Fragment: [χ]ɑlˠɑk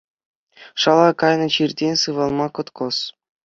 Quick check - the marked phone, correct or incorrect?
incorrect